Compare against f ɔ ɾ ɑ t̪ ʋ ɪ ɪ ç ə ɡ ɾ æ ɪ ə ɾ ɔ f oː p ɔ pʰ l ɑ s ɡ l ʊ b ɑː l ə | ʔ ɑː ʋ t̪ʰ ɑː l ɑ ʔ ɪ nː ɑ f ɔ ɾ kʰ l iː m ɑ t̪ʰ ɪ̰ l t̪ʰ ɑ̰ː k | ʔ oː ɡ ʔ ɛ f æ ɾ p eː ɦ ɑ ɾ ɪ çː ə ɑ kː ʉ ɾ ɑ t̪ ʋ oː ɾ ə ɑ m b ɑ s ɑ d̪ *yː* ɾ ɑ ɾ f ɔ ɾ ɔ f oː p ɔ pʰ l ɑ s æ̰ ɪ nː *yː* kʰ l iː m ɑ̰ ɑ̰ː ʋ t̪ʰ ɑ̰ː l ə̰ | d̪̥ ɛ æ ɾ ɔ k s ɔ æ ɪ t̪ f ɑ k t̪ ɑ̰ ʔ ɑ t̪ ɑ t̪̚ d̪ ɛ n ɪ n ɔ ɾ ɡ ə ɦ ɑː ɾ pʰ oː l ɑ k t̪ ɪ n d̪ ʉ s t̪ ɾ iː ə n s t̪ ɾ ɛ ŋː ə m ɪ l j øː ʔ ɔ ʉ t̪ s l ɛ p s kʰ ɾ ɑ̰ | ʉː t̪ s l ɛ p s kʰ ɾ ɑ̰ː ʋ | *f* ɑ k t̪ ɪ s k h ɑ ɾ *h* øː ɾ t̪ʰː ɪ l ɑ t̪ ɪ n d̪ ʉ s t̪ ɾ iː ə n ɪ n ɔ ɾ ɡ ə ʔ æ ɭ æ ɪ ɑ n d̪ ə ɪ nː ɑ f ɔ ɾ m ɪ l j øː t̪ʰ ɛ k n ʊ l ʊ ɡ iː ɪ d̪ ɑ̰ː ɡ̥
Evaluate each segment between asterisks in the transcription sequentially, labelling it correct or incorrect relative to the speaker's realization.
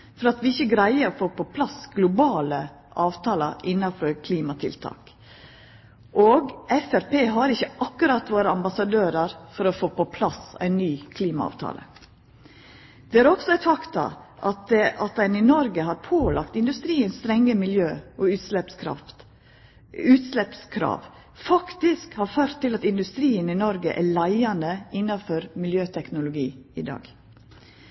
incorrect: øː, correct, correct, incorrect: f

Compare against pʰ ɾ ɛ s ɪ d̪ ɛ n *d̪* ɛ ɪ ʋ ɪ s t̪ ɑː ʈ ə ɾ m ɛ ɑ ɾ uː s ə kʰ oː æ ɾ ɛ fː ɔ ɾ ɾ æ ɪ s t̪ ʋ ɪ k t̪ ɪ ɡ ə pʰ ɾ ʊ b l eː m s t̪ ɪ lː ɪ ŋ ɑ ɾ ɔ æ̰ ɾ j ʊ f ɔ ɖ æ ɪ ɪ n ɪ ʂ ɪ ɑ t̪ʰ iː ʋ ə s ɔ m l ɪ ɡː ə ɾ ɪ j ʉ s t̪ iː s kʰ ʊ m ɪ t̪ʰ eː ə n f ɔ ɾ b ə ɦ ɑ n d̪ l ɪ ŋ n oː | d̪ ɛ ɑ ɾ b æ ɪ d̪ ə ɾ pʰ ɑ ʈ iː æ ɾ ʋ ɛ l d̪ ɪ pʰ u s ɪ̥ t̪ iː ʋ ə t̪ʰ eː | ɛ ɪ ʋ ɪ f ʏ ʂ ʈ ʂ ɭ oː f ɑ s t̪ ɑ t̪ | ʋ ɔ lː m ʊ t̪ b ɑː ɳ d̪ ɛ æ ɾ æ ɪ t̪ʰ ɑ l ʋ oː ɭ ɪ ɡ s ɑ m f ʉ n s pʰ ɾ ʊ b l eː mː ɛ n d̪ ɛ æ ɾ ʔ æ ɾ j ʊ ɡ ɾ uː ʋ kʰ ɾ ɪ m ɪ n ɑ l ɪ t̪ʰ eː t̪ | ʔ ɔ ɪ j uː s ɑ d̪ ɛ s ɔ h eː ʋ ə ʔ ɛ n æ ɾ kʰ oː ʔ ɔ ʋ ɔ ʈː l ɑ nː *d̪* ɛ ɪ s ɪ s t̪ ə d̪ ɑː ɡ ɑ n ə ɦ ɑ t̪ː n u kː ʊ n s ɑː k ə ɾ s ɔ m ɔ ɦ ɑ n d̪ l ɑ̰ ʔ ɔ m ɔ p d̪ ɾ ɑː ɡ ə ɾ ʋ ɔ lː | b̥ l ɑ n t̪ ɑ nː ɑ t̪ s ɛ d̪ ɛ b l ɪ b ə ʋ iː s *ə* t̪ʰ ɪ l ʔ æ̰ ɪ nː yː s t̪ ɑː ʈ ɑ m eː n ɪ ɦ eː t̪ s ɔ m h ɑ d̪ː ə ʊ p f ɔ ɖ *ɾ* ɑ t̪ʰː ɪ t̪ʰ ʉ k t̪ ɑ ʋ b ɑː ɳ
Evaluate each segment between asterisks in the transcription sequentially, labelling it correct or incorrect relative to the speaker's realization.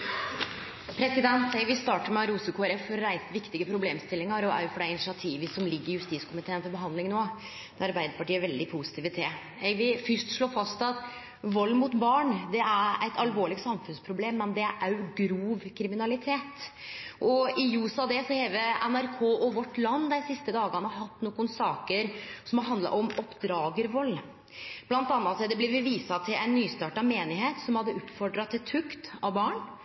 incorrect: t̪, correct, incorrect: ɑ, correct

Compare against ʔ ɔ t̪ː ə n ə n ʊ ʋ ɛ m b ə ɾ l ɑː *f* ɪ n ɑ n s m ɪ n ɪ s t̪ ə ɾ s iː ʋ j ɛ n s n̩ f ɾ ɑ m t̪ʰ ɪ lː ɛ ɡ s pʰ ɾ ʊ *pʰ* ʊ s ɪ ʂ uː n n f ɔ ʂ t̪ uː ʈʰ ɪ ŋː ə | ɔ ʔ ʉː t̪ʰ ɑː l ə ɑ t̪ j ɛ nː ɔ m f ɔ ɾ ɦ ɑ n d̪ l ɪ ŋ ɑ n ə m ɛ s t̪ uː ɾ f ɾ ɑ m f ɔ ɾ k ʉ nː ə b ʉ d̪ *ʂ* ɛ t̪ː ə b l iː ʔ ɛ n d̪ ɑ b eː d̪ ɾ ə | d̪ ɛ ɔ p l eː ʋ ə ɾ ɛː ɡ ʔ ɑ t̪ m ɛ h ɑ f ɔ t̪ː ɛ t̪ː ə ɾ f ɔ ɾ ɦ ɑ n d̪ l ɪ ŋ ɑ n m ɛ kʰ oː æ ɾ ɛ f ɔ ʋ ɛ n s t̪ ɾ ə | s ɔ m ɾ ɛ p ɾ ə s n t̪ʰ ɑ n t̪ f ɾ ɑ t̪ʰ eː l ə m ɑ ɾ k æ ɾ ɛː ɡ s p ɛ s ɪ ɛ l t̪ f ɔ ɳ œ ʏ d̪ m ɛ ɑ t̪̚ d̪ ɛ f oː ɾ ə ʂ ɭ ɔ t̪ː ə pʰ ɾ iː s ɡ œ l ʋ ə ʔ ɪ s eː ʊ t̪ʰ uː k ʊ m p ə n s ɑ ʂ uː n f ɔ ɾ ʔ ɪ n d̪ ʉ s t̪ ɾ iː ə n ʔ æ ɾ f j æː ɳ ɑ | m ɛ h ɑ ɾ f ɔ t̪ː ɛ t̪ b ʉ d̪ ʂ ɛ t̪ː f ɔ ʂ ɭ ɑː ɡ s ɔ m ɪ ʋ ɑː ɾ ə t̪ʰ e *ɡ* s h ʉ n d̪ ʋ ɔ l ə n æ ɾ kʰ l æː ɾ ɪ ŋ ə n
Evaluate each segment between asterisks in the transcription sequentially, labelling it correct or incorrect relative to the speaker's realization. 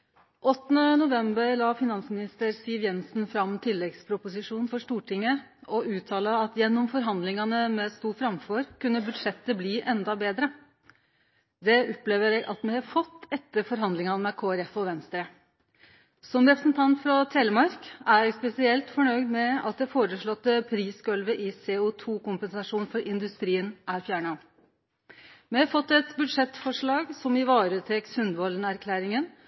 correct, incorrect: p, correct, incorrect: k

